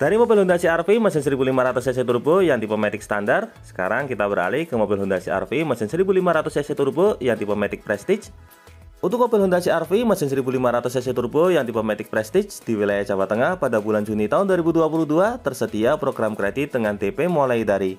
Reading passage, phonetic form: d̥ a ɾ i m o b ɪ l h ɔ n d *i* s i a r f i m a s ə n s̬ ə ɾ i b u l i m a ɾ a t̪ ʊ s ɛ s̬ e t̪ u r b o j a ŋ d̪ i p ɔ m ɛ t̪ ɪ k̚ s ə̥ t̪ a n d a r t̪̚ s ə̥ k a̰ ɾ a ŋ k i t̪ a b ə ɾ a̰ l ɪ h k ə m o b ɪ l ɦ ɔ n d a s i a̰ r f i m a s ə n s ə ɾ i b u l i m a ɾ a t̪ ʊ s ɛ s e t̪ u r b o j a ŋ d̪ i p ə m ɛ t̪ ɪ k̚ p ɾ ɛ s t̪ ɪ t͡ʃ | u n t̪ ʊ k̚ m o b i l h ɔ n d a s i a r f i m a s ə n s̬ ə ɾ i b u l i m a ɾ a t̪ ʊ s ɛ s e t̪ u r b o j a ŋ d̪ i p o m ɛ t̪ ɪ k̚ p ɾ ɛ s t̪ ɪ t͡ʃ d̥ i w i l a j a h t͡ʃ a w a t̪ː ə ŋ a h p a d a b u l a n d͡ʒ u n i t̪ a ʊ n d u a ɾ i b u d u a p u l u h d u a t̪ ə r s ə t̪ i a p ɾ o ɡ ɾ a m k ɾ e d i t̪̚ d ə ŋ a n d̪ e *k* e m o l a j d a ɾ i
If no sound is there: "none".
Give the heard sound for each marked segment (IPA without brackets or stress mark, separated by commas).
a, p